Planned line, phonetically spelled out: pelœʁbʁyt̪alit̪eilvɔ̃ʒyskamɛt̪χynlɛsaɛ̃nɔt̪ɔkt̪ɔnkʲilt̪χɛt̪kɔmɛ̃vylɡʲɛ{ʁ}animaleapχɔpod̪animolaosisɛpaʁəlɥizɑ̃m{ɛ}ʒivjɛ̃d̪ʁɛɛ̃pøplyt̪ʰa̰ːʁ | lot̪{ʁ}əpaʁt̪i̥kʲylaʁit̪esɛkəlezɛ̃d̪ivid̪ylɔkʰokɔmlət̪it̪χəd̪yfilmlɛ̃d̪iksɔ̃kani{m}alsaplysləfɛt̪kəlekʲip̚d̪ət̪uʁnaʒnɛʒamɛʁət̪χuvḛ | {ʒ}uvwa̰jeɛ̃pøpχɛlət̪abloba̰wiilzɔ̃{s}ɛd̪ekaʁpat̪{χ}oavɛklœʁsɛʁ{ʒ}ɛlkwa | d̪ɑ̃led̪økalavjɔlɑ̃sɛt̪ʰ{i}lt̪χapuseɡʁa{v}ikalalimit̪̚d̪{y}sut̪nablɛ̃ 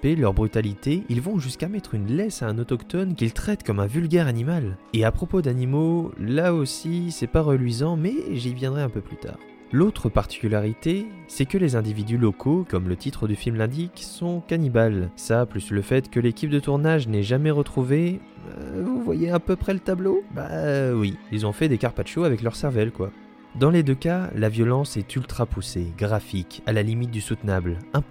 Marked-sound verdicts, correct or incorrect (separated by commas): correct, correct, incorrect, incorrect, incorrect, incorrect, incorrect, incorrect, incorrect, incorrect, correct